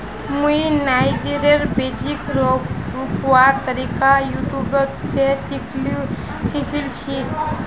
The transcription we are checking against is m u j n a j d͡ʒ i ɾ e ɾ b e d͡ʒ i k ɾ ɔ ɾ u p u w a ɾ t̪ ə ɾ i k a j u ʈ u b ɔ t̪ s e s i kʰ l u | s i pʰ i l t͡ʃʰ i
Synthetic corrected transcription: m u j n a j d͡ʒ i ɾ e ɾ b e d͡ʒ i k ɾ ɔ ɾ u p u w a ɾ t̪ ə ɾ i k a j u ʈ u b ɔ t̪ s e s i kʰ l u | s i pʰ i l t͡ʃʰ i